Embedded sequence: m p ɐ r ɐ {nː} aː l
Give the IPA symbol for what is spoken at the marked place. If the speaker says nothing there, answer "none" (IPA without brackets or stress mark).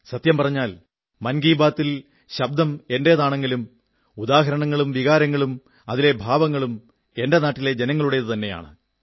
ɲː